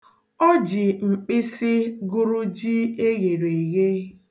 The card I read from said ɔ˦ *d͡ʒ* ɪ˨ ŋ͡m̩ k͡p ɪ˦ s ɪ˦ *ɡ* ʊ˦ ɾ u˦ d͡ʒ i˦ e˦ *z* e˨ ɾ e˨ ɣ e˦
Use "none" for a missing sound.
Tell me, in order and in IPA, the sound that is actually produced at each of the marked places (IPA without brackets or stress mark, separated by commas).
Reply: d͡ʒ, ɡ, ɣ